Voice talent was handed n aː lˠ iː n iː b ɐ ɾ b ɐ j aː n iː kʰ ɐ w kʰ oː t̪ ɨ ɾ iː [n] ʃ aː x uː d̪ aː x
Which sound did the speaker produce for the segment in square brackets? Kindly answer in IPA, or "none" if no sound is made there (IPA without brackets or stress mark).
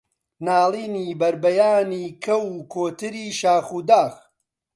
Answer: none